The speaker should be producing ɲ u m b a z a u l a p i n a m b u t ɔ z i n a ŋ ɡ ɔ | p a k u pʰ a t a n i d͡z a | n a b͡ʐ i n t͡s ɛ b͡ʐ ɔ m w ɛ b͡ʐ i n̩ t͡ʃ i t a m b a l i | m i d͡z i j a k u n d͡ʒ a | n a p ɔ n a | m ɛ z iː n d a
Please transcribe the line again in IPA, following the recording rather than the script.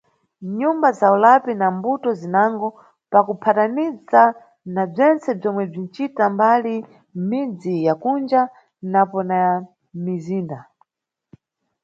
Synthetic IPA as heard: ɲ u m b a z a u l a p i n a m b u t ɔ z i n a ŋ ɡ ɔ | p a k u pʰ a t a n i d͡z a | n a b͡ʐ ɛ n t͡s ɛ b͡ʐ ɔ m w ɛ b͡ʐ i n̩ t͡ʃ i t a m b a l i | m i d͡z i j a k u n d͡ʒ a | n a p ɔ n a | m i z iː n d a